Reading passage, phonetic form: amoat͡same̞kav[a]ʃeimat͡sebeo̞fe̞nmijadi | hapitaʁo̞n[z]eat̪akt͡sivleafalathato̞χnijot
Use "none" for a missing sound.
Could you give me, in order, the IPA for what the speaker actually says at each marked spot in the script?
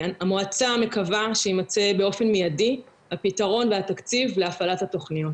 a, v

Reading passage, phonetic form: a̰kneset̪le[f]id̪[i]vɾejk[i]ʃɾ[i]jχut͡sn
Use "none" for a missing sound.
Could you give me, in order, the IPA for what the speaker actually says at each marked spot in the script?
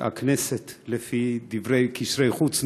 f, i, i, e

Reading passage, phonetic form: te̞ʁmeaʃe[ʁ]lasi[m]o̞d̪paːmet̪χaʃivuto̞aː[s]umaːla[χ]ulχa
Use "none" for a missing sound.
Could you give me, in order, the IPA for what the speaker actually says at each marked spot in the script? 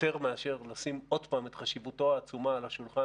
ʁ, m, t͡s, ʃ

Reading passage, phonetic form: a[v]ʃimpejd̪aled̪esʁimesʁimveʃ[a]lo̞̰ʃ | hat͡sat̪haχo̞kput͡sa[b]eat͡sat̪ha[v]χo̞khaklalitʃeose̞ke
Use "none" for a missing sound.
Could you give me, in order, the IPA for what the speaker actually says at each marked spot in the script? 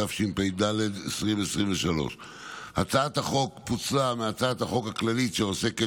f, a, m, none

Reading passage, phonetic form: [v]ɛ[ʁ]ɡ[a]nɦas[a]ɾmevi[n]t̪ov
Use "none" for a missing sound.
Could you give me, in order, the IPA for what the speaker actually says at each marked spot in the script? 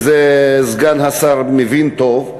z, z, a, a, n

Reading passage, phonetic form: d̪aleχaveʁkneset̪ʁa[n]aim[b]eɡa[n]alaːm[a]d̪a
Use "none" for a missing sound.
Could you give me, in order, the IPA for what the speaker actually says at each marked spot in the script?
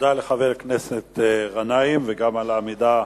n, v, m, i

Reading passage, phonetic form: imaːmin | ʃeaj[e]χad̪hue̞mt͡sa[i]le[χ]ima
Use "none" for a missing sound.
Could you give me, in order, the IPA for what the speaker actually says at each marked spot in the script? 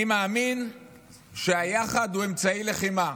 a, i, χ

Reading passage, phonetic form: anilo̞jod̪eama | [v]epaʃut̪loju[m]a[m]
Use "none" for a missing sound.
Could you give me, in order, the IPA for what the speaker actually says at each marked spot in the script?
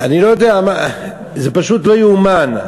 z, m, n

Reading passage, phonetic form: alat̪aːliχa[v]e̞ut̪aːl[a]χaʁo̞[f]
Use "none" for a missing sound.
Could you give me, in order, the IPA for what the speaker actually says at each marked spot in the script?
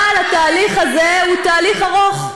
z, i, χ

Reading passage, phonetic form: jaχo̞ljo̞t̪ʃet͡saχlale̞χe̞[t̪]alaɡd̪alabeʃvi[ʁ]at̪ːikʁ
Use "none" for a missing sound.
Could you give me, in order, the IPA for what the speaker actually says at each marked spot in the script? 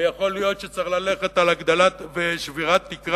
t̪, ʁ

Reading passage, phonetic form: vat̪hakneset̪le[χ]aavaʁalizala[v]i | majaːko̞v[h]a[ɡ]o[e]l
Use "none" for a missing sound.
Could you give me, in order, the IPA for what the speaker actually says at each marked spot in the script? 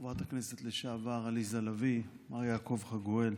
ʃ, v, χ, ɡ, e

